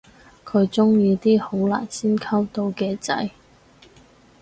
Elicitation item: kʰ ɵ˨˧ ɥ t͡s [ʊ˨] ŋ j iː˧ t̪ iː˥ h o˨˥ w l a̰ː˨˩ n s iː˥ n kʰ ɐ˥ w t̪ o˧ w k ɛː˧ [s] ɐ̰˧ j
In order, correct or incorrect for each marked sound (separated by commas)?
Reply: incorrect, incorrect